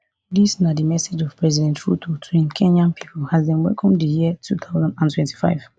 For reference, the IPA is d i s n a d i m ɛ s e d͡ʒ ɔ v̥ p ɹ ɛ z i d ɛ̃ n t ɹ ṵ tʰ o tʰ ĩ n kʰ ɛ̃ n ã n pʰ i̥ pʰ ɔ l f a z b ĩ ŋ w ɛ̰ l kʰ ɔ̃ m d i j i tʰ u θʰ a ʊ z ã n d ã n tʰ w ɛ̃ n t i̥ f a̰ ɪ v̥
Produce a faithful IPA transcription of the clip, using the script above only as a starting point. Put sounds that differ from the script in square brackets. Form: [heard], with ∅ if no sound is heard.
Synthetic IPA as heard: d i s n a d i m ɛ s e d͡ʒ ɔ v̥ p ɹ ɛ z i d ɛ̃ n t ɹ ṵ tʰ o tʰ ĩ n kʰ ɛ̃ n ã n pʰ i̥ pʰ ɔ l [h] a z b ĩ [n] w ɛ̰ l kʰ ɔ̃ m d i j i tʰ u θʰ a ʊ z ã n d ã n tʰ w ɛ̃ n t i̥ f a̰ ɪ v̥